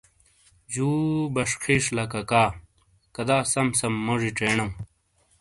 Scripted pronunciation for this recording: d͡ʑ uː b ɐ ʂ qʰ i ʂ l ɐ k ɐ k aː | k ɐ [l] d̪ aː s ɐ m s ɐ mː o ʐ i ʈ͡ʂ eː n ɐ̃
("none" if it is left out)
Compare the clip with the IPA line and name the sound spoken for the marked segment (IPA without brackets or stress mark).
none